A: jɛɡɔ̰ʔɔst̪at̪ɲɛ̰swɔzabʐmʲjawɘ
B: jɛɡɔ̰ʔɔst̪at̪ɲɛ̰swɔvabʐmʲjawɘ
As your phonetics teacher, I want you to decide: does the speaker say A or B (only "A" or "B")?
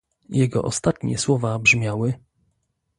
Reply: B